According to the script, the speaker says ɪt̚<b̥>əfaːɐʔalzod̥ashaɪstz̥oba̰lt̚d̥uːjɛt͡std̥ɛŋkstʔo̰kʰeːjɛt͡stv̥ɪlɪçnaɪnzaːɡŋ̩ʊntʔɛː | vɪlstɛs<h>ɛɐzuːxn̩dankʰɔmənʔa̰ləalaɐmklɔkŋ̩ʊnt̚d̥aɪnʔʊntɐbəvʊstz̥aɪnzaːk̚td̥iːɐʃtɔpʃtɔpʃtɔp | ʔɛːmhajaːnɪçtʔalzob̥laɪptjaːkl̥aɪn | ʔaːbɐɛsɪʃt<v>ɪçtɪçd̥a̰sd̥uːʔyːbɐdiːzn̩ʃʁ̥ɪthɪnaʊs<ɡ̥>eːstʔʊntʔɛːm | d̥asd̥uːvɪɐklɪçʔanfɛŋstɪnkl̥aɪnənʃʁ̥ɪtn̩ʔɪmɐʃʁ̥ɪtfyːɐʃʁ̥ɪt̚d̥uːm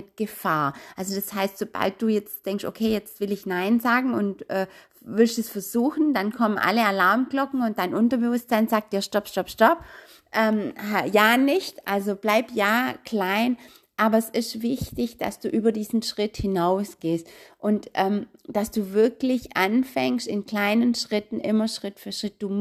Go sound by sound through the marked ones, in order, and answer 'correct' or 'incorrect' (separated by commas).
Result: incorrect, incorrect, correct, correct